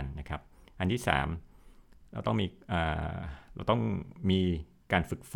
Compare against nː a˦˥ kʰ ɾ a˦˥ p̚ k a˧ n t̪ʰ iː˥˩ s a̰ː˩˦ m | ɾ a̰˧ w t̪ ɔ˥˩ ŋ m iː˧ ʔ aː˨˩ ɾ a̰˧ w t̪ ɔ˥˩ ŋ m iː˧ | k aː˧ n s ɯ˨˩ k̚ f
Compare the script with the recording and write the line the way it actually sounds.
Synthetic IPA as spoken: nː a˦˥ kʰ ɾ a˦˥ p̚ ʔ a˧ n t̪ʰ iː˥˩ s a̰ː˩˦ m | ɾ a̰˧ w t̪ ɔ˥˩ ŋ m iː˧ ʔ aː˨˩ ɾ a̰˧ w t̪ ɔ˥˩ ŋ m iː˧ | k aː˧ n f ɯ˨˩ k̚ f